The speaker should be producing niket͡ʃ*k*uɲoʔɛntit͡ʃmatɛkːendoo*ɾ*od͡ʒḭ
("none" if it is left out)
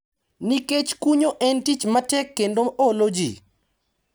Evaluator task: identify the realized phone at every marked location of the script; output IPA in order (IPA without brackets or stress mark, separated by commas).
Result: k, l